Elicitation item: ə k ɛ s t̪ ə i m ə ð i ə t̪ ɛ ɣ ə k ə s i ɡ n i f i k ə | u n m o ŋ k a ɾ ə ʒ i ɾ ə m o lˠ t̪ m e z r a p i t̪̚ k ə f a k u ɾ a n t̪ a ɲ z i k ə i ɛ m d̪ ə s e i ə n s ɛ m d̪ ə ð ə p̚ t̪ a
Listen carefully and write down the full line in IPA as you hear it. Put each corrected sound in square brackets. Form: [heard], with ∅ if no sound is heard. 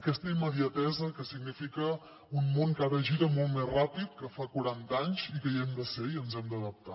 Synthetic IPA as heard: ə k ɛ s t̪ ə i m ə ð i ə t̪ ɛ [z] ə k ə s i ɡ n i f i k ə | u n m o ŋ k a ɾ ə ʒ i ɾ ə m o lˠ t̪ m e z r a p i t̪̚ k ə f a k u ɾ a n t̪ a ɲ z i k ə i ɛ m d̪ ə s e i ə n [z] ɛ m d̪ ə ð ə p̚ t̪ a